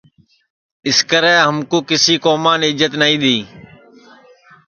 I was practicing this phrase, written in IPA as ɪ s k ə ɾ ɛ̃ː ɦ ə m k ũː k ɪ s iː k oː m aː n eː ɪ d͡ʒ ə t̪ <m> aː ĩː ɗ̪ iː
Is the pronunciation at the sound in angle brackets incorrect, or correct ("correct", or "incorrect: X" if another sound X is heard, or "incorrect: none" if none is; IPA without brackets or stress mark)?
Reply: incorrect: n